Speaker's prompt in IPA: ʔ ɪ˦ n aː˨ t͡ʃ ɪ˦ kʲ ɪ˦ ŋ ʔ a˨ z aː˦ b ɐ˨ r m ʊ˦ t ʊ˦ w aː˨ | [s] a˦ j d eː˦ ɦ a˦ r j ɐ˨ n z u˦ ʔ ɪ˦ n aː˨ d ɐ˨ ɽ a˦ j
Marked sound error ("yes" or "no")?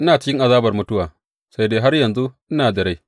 no